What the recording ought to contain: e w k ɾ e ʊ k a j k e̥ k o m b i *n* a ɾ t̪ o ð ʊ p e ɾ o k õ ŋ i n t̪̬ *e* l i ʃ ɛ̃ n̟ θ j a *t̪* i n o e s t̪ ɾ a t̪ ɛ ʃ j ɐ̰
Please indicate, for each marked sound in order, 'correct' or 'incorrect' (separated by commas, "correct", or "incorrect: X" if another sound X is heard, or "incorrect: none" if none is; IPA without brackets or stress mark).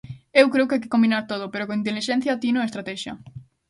correct, correct, correct